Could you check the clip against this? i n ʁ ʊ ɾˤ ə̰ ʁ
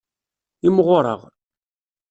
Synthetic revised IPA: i m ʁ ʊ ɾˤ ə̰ ʁ